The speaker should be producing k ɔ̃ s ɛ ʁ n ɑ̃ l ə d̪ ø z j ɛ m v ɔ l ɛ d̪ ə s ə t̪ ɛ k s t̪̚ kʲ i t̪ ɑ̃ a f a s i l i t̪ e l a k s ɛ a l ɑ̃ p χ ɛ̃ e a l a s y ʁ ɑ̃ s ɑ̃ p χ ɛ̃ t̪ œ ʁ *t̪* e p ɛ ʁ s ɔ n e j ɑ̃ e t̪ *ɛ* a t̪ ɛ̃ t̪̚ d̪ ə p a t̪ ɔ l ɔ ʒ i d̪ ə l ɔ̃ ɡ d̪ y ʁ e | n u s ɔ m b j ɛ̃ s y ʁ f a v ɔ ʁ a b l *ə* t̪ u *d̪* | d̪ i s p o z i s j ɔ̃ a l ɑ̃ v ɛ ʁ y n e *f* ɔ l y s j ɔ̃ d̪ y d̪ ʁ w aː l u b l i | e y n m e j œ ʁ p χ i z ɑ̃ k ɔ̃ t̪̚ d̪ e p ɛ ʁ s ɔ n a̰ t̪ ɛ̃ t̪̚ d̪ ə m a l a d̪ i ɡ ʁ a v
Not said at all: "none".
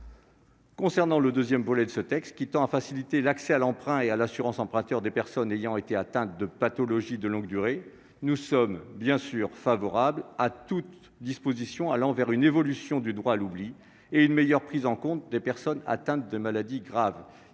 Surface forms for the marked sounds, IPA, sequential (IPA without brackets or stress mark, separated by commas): d̪, e, a, t̪, v